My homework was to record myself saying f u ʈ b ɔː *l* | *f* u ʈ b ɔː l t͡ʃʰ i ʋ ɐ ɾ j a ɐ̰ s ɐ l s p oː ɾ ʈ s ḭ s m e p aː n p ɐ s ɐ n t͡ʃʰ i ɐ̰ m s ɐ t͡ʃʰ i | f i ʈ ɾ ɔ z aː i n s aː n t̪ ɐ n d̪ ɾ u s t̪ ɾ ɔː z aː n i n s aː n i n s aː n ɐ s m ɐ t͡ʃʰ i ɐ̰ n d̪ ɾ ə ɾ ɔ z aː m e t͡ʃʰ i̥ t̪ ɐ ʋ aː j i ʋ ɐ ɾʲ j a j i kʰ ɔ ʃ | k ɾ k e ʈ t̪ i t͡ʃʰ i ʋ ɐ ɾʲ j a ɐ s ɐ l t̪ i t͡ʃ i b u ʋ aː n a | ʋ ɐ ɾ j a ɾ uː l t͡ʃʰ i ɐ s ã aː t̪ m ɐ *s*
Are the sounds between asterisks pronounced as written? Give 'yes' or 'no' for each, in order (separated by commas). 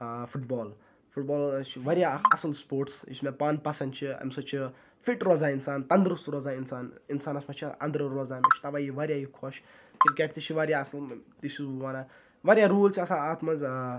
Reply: yes, yes, no